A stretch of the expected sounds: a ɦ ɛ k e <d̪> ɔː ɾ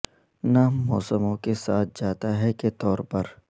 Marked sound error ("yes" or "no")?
yes